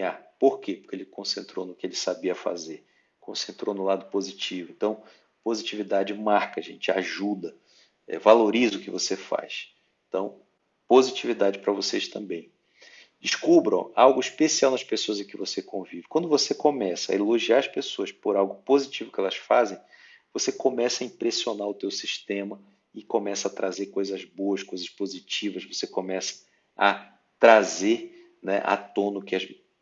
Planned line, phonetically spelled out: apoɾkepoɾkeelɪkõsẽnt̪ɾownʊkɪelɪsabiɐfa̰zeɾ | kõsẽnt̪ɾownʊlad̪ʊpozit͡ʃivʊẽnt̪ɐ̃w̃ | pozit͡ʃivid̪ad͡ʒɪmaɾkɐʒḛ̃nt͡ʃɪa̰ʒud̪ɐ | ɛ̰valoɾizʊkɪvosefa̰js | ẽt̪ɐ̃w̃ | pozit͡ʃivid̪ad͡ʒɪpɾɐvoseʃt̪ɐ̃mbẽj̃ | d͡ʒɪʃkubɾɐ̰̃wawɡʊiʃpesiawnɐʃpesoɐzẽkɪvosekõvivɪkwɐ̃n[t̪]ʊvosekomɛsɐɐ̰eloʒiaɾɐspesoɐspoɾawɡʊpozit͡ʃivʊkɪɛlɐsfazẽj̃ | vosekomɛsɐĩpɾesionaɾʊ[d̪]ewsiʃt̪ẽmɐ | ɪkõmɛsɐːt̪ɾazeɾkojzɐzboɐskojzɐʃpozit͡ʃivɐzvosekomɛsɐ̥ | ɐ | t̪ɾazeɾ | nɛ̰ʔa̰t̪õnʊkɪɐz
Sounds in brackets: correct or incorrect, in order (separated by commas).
incorrect, incorrect